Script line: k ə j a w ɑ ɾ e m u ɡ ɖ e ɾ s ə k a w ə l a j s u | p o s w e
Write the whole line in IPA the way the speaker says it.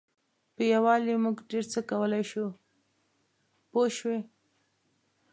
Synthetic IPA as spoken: p ə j a w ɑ l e m u ɡ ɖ e ɾ t͡s ə k a w ə l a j ʃ u | p o ʃ w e